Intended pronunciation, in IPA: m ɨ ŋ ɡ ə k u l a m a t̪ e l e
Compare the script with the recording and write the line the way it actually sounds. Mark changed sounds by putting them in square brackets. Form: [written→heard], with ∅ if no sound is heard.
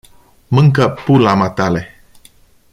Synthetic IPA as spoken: m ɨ ŋ [ɡ→k] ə [k→p] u l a m a t̪ [e→a] l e